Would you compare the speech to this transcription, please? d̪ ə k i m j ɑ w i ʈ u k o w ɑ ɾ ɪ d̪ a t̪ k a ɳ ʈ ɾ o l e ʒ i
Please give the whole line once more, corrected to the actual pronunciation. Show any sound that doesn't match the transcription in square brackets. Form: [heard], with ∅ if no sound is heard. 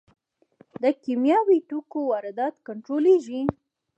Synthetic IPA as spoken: d̪ ə k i m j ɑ w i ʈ u k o w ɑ ɾ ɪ d̪ [ɑ] t̪ k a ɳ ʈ ɾ o l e ʒ i